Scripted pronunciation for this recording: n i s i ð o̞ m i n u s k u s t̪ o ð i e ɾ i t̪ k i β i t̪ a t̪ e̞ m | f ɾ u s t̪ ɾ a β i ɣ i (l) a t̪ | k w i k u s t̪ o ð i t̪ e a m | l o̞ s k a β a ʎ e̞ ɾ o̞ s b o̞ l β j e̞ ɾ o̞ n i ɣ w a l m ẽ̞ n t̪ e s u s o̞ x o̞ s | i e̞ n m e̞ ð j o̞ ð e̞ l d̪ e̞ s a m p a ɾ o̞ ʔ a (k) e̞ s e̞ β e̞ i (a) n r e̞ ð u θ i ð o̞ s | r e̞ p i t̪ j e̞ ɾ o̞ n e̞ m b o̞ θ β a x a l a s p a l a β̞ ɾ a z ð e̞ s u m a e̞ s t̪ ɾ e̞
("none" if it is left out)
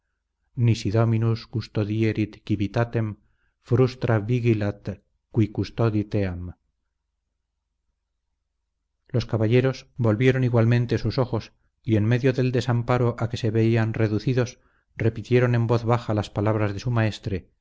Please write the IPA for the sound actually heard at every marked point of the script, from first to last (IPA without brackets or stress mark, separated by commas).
l, k, a